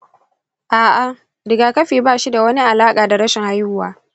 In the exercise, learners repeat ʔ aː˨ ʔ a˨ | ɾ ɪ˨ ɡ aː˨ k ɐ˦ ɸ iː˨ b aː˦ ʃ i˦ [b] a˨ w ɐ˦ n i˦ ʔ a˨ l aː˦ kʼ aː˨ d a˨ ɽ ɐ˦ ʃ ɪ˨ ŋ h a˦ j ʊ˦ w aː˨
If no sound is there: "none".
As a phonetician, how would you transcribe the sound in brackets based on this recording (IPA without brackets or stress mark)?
d